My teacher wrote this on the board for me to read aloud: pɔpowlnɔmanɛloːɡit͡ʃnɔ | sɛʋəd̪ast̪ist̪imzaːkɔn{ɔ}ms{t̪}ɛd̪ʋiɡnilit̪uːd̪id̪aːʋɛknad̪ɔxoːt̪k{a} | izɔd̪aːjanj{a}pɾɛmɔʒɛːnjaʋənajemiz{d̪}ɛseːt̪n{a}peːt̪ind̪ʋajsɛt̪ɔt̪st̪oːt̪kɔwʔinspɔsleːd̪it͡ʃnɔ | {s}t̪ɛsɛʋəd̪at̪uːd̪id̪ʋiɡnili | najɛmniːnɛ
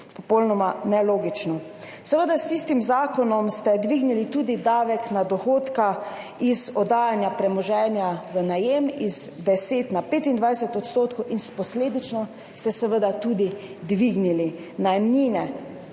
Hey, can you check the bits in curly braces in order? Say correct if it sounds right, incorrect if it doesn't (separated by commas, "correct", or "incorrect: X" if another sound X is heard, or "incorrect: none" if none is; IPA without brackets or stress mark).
correct, correct, correct, correct, correct, correct, correct